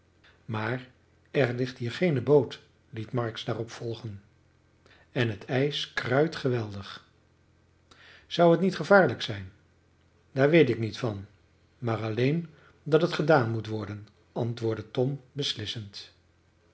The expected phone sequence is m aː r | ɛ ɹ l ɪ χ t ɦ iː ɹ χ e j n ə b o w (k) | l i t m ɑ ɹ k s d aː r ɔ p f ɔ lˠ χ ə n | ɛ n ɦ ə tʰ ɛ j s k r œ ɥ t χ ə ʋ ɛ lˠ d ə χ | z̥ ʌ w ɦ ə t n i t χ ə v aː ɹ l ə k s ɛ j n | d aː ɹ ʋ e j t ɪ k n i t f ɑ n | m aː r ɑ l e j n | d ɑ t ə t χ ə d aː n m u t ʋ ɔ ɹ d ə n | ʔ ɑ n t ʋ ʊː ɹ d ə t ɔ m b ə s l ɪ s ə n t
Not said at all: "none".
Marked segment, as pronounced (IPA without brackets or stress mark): t